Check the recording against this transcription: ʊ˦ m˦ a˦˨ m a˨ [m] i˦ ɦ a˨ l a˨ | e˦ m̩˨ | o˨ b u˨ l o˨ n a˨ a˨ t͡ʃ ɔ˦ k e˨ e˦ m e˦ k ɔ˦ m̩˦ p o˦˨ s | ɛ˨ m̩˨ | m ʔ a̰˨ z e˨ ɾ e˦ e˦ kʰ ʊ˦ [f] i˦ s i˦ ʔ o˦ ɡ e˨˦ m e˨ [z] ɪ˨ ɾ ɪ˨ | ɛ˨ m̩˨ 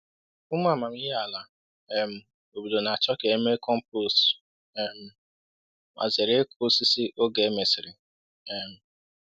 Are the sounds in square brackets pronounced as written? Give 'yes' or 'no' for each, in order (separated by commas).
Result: yes, no, no